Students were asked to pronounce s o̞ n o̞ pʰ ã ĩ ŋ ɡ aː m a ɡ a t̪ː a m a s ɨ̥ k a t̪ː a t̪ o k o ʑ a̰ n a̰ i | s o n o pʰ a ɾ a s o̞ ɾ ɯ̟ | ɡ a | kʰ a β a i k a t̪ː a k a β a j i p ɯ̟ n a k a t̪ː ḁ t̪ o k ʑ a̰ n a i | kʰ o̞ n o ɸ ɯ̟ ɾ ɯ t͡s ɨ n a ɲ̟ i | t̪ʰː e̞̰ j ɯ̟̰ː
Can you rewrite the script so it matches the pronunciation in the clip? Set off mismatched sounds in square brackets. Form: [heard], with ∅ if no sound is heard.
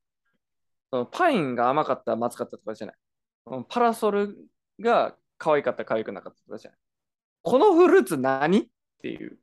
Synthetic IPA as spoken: s o̞ n o̞ pʰ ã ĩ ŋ ɡ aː m a [k] a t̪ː a m a [t͡s] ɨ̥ k a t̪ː a t̪ o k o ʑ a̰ n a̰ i | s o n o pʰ a ɾ a s o̞ ɾ ɯ̟ | ɡ a | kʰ a β a i k a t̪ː a k a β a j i [k] ɯ̟ n a k a t̪ː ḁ t̪ o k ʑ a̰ n a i | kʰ o̞ n o ɸ ɯ̟ ɾ ɯ t͡s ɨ n a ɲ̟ i | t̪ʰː e̞̰ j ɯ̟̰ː